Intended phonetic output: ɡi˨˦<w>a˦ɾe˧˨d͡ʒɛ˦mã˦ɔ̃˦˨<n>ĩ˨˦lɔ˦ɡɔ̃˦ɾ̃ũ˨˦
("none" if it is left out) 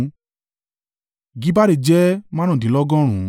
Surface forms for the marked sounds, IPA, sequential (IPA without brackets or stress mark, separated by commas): b, d